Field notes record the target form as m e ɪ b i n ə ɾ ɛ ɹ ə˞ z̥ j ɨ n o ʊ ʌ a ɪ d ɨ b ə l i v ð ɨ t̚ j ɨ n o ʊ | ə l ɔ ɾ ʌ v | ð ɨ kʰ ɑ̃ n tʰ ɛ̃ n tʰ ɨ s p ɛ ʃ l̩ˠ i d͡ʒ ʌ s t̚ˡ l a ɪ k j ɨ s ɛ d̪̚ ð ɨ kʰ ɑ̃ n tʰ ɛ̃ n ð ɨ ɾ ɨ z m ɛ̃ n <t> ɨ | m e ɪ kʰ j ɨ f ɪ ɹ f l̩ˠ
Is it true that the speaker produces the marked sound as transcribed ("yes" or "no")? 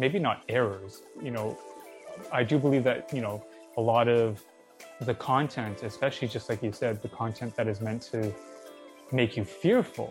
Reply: no